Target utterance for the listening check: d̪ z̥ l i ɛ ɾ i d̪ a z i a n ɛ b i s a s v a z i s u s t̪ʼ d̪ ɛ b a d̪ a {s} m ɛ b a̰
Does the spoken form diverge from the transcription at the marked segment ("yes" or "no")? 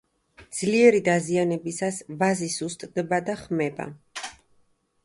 yes